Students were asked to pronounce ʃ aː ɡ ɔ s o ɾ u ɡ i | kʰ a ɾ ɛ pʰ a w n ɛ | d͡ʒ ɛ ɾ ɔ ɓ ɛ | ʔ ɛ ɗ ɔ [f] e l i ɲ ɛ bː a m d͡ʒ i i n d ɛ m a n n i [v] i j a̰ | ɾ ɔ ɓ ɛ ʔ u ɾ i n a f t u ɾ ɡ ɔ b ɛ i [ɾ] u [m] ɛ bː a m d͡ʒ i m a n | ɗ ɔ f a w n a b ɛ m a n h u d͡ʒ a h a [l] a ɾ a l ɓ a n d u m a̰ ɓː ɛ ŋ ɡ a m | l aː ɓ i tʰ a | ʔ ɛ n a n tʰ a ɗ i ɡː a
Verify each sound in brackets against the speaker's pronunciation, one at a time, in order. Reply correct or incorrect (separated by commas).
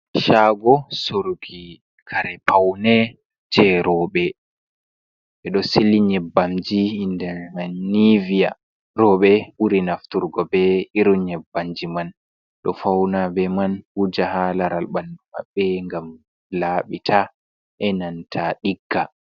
incorrect, correct, correct, incorrect, correct